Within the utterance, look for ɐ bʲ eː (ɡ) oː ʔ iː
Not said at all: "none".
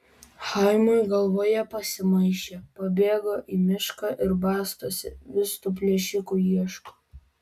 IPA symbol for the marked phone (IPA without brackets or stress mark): ɡ